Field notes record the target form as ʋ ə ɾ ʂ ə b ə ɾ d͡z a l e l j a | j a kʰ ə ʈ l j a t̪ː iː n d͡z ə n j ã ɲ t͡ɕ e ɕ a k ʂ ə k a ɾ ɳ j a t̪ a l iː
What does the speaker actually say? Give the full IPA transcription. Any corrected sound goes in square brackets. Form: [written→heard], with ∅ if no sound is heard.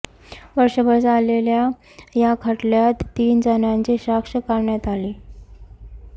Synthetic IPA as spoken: ʋ ə ɾ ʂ ə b ə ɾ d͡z a l e l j a | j a kʰ ə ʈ l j a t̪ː iː n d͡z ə n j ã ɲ t͡ɕ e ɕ a k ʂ ə k a ɾ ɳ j a t̪ a l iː